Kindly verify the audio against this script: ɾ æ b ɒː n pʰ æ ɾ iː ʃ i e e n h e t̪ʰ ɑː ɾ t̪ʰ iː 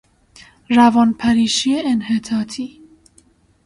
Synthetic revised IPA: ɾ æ v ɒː n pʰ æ ɾ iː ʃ i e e n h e t̪ʰ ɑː t̪ʰ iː